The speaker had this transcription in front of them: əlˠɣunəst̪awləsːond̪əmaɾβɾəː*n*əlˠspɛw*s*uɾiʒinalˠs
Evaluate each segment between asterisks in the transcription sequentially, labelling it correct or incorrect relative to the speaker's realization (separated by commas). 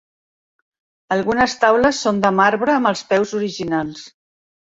incorrect, incorrect